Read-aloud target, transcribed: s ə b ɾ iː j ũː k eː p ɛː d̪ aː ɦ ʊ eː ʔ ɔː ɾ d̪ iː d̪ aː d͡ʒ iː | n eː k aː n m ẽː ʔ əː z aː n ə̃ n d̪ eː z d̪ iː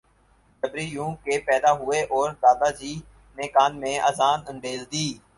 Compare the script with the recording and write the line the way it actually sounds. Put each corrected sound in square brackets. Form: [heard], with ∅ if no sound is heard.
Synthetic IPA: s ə b ɾ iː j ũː k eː p ɛː d̪ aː ɦ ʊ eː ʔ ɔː ɾ d̪ [aː] d̪ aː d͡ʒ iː | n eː k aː n m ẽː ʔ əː z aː n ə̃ n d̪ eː z d̪ iː